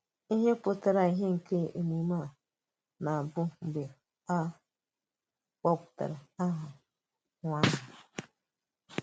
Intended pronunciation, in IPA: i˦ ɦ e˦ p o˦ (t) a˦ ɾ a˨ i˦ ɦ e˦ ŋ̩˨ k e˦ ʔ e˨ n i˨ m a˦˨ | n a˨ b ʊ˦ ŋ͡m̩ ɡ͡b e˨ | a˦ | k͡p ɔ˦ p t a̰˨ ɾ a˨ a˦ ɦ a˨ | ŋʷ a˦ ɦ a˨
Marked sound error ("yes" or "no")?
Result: no